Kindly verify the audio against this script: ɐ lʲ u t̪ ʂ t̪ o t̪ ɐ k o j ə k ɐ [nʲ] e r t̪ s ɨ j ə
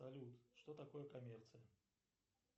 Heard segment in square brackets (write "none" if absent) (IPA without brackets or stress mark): mʲ